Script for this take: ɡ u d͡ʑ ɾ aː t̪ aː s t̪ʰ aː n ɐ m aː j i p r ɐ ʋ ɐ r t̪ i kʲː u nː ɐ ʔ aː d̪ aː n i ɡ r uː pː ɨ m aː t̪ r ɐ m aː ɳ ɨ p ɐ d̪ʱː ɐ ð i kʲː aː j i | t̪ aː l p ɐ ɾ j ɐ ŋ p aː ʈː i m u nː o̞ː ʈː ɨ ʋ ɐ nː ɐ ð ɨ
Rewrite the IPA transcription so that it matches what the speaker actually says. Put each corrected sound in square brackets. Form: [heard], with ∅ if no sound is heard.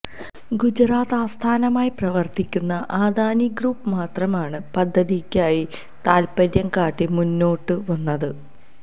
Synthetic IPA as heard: ɡ u d͡ʑ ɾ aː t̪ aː s t̪ʰ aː n ɐ m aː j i p r ɐ ʋ ɐ r t̪ i kʲː u nː ɐ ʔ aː d̪ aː n i ɡ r uː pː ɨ m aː t̪ r ɐ m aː ɳ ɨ p ɐ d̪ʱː ɐ ð i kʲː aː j i | t̪ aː l p ɐ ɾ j ɐ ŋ [k] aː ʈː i m u nː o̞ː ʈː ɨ ʋ ɐ nː ɐ ð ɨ